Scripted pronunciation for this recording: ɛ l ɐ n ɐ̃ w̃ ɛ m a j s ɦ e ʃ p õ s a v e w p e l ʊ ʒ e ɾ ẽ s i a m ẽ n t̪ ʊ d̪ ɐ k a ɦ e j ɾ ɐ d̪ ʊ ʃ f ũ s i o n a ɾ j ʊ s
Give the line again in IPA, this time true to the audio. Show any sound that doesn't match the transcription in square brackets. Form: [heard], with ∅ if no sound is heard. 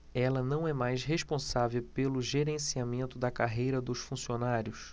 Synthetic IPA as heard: ɛ l ɐ n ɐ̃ w̃ ɛ m a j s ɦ e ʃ p õ s a v e w p e l ʊ ʒ e ɾ ẽ s i a m ẽ n t̪ ʊ d̪ ɐ k a ɦ e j ɾ ɐ d̪ ʊ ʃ f ũ s i o n a ɾ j ʊ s